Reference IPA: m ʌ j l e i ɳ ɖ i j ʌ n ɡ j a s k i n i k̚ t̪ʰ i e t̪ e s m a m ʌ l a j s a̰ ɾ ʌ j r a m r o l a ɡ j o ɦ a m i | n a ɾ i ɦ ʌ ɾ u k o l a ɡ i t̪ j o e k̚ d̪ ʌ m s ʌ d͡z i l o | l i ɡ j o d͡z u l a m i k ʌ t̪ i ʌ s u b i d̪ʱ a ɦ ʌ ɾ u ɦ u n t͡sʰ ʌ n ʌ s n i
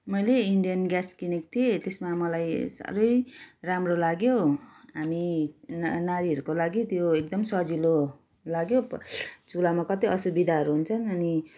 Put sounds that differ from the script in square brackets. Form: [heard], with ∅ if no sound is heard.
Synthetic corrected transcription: m ʌ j l e i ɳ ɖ i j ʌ n ɡ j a s k i n i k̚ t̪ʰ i e t̪ e s m a m ʌ l a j s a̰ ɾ ʌ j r a m r o l a ɡ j o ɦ a m i | n a ɾ i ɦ ʌ ɾ u k o l a ɡ i t̪ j o e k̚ d̪ ʌ m s ʌ d͡z i l o | l [a] ɡ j o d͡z u l a m [a] k ʌ t̪ i ʌ s u b i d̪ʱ a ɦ ʌ ɾ u ɦ u n t͡sʰ ʌ n ʌ [∅] n i